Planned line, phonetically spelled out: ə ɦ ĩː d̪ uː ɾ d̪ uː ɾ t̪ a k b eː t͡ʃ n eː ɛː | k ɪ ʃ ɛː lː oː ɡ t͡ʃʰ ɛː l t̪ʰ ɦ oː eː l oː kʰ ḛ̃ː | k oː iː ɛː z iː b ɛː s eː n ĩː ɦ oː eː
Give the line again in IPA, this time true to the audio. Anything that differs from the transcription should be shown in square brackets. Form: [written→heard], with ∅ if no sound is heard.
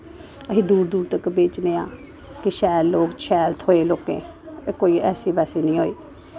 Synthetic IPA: ə ɦ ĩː d̪ uː ɾ d̪ uː ɾ t̪ [a→ə] k b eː t͡ʃ n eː [ɛː→aː] | k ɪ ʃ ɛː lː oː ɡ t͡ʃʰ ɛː l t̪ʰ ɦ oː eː l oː [kʰ→k] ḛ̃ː | k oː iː ɛː [z→s] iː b ɛː s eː n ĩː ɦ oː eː